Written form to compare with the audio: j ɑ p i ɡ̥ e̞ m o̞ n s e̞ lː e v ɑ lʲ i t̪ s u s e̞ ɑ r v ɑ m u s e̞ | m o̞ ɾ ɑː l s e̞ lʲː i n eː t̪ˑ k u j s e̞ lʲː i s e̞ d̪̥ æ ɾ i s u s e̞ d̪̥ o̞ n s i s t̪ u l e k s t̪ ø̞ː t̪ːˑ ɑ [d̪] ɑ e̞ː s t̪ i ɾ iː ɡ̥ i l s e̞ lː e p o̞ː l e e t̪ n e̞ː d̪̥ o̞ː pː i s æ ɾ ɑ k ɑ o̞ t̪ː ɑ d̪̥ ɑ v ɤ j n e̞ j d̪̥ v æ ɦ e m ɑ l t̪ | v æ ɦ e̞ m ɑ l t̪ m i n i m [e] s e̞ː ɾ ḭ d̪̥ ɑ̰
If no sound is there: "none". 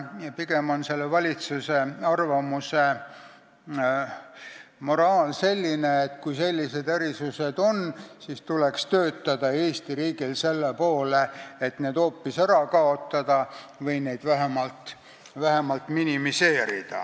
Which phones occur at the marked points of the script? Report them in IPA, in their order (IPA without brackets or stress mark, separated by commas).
d̪, i